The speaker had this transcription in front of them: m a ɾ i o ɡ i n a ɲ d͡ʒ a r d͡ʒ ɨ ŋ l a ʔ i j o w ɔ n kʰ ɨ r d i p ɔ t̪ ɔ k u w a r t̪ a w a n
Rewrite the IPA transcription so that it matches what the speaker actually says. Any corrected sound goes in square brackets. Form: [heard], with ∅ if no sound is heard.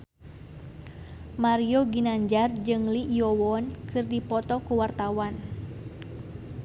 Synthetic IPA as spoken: m a ɾ i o ɡ i n a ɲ d͡ʒ a r d͡ʒ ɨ ŋ l [i] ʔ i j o w ɔ n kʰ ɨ r d i p ɔ t̪ ɔ k u w a r t̪ a w a n